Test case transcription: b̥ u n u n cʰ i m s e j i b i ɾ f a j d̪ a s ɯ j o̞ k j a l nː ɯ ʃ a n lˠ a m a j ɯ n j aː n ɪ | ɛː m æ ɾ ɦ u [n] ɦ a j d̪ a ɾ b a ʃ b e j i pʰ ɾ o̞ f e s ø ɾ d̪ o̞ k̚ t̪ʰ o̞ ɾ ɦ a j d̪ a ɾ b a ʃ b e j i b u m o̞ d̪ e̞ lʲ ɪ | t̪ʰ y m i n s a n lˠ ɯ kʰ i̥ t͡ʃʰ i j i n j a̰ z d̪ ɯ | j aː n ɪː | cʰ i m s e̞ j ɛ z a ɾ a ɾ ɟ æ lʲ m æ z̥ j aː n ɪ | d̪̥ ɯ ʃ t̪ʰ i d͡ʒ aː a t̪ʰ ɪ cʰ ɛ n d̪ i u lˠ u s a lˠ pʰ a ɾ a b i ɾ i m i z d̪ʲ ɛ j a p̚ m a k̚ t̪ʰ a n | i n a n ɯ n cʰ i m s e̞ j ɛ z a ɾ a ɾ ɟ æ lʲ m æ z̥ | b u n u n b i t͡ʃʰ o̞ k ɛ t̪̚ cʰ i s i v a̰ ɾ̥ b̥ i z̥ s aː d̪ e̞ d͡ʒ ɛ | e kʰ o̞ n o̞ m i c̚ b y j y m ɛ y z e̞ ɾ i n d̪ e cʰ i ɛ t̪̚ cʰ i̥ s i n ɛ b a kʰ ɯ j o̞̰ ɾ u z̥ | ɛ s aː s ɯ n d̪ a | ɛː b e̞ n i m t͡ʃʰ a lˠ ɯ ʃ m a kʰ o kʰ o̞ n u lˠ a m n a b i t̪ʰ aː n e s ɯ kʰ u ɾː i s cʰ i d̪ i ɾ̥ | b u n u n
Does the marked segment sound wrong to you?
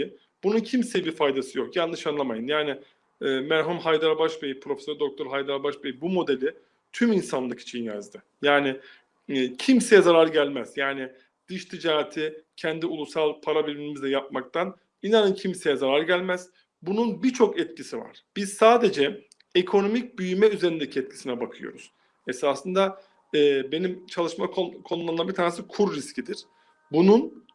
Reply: yes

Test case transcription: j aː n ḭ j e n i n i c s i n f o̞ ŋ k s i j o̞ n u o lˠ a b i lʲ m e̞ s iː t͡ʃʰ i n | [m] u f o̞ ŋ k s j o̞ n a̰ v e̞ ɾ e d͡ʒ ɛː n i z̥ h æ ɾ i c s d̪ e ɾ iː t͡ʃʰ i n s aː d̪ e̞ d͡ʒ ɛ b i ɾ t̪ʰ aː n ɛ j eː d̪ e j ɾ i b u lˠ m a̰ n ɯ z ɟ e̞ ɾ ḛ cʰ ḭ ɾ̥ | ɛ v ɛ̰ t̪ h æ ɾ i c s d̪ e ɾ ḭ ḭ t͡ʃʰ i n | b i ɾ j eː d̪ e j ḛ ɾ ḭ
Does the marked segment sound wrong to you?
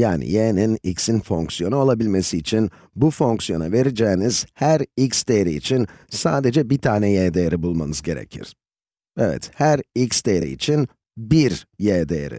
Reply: yes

